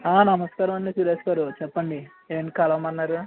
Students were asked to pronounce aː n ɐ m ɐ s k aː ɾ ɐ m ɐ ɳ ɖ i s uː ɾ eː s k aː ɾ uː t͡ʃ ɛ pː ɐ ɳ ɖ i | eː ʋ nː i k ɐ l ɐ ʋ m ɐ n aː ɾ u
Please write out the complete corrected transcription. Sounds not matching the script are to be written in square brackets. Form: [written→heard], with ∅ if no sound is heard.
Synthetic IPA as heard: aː n ɐ m ɐ s k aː ɾ ɐ m ɐ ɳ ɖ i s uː ɾ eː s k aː ɾ [uː→u] t͡ʃ ɛ pː ɐ ɳ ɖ i | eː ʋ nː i k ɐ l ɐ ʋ m ɐ [n→nː] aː ɾ u